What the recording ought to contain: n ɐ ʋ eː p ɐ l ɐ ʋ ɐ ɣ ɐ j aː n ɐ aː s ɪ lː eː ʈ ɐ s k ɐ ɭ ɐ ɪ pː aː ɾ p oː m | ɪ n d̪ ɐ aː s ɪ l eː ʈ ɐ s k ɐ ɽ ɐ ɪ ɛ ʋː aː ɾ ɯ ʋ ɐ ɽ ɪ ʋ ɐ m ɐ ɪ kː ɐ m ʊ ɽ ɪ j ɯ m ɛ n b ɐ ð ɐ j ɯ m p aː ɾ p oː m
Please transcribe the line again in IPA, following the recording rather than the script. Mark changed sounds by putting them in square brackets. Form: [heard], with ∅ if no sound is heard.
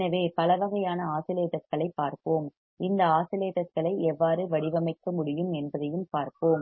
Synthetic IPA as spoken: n ɐ ʋ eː p ɐ l ɐ ʋ ɐ ɣ ɐ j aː n ɐ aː s ɪ [l] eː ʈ ɐ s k ɐ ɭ ɐ ɪ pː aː ɾ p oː m | ɪ n d̪ ɐ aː s ɪ l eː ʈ ɐ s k ɐ [ɭ] ɐ ɪ ɛ ʋː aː ɾ ɯ ʋ ɐ ɽ ɪ ʋ ɐ m ɐ ɪ kː ɐ m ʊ ɽ ɪ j ɯ m ɛ n b ɐ ð ɐ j ɯ m p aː ɾ p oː m